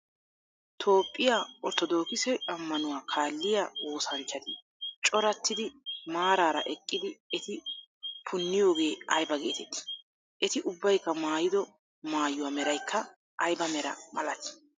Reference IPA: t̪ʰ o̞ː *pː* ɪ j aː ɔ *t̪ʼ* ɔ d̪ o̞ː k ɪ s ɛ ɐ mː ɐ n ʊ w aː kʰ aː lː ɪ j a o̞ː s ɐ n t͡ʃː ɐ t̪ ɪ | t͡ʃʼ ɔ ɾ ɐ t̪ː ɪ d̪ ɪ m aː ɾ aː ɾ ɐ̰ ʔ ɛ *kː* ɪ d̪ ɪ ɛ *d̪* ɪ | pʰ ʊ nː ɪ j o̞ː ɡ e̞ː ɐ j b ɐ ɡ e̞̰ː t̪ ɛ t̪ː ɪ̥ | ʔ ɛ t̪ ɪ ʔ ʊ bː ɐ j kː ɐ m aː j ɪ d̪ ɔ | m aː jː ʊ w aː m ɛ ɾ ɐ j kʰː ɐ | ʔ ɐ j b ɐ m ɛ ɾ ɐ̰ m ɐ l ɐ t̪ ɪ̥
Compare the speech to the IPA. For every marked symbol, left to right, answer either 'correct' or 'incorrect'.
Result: incorrect: pʼː, incorrect: t̪, incorrect: kʼː, incorrect: t̪

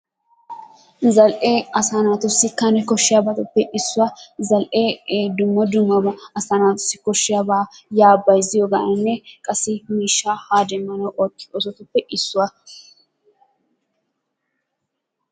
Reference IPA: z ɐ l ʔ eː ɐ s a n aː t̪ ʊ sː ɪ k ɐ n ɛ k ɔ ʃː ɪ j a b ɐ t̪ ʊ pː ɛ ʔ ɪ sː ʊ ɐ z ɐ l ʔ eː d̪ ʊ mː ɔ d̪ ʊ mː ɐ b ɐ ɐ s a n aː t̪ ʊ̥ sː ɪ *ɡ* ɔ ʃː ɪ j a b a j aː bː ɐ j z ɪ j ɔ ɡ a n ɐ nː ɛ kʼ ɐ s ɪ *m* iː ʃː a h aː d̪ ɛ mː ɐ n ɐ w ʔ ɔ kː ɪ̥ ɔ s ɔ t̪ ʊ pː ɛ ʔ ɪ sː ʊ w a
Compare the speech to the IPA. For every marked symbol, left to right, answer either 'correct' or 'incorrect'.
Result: incorrect: k, correct

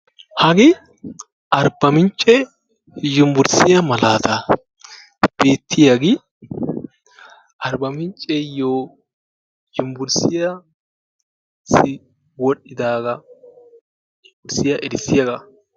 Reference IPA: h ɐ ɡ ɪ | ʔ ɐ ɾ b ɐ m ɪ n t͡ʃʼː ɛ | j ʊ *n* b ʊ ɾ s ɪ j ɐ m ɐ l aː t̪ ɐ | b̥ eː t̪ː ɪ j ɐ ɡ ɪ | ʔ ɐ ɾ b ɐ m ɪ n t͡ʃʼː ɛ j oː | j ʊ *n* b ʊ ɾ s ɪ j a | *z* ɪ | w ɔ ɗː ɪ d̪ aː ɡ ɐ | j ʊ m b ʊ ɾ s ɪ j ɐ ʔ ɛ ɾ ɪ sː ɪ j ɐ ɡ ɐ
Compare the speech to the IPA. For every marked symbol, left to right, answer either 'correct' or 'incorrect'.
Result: incorrect: m, incorrect: m, incorrect: s

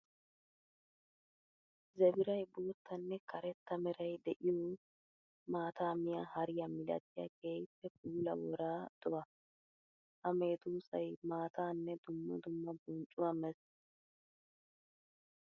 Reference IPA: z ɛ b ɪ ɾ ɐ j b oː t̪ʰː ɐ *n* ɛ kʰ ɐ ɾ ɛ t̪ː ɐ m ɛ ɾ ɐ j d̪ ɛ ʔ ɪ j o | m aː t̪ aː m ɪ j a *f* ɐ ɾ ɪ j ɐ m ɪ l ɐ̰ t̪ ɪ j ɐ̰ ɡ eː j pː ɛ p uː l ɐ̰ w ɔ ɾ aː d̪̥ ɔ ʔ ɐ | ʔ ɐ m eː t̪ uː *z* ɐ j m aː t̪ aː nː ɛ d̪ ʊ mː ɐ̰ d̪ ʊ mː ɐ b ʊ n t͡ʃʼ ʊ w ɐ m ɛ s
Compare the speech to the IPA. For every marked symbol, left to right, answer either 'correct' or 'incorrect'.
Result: incorrect: nː, incorrect: h, incorrect: s

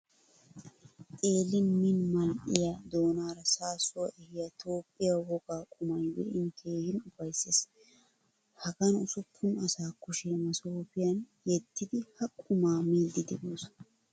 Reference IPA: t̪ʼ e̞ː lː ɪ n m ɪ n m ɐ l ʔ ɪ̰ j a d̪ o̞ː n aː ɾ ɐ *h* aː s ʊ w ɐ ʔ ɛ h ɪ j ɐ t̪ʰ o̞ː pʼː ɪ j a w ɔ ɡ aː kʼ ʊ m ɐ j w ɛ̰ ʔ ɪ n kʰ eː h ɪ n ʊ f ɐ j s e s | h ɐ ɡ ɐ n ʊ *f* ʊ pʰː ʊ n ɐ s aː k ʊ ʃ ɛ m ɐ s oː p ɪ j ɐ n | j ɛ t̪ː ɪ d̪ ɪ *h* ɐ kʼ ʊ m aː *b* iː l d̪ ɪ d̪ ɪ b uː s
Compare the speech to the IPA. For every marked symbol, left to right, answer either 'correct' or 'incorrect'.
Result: incorrect: s, incorrect: s, correct, incorrect: m

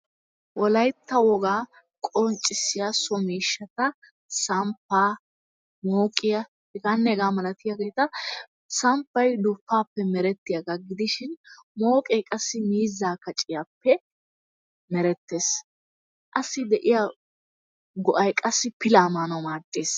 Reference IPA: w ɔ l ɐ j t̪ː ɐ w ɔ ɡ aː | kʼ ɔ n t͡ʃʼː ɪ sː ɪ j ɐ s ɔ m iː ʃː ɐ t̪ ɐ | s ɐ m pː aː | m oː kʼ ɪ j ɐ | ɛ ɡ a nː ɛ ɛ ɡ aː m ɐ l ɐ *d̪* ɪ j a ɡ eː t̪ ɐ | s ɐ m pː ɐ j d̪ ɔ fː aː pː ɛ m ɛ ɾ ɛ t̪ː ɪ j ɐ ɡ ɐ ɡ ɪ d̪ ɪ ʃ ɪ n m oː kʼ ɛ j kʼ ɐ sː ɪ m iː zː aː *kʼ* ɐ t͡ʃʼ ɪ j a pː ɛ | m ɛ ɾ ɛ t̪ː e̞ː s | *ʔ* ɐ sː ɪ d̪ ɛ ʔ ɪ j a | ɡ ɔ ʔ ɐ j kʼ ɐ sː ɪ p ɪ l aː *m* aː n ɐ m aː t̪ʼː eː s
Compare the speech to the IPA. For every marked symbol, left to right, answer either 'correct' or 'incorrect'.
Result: incorrect: t̪, incorrect: k, correct, correct

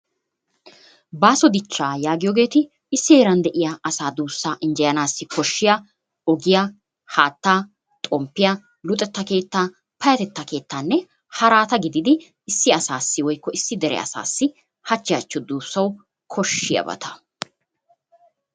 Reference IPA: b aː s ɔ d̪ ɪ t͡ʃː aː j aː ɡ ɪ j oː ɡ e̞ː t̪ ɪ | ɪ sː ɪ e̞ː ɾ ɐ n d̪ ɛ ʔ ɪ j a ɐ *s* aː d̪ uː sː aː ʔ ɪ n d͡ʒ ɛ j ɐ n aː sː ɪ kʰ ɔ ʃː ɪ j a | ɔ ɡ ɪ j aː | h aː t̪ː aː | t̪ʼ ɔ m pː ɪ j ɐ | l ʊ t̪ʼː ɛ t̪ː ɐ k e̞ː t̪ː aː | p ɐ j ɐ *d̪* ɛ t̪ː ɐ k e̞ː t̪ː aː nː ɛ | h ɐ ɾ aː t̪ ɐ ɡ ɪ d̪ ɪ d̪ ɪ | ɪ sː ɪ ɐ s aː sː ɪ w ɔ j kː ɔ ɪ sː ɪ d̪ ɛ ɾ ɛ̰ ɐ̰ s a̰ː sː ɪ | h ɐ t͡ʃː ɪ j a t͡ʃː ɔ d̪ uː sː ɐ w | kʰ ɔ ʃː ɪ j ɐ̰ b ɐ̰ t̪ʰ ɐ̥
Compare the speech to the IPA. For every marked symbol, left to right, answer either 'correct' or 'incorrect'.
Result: correct, incorrect: t̪

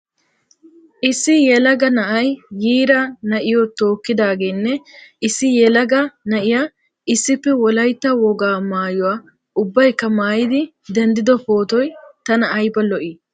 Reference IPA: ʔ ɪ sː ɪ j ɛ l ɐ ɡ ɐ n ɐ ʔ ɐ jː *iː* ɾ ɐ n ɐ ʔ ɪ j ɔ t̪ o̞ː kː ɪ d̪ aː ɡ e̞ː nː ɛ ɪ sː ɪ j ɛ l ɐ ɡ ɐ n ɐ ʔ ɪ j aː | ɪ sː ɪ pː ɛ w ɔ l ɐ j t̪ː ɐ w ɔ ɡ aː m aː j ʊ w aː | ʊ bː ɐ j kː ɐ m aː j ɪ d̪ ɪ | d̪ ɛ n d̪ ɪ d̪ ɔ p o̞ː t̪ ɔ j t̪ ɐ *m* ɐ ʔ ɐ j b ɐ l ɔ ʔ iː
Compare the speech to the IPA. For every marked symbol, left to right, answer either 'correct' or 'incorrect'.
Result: correct, incorrect: n

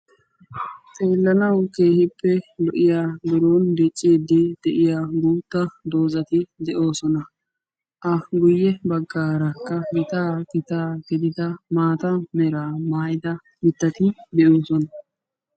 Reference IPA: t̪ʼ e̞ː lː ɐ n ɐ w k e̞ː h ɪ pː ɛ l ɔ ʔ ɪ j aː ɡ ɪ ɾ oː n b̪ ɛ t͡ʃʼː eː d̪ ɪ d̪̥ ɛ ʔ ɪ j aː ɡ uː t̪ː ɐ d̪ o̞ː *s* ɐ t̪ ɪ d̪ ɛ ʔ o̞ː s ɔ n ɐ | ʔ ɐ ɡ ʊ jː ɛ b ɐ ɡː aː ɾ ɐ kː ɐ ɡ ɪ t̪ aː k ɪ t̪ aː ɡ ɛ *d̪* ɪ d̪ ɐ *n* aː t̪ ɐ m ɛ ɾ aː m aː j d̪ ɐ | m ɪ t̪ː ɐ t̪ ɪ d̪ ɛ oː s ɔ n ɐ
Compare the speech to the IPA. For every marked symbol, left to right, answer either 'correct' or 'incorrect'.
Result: incorrect: z, correct, incorrect: m

